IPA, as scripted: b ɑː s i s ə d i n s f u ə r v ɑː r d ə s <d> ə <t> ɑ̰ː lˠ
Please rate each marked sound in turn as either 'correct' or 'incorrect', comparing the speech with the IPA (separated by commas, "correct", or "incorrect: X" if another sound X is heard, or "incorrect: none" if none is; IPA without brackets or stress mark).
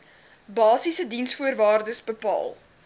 incorrect: b, incorrect: p